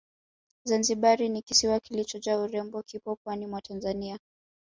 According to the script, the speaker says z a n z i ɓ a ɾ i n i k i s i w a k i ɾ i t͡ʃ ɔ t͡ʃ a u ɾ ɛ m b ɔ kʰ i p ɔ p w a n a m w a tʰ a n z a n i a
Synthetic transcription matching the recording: z a n z i ɓ a ɾ i n i k i s i w a k i l i t͡ʃ ɔ t͡ʃ a u ɾ ɛ m b ɔ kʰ i p ɔ p w a n i m w a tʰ a n z a n i a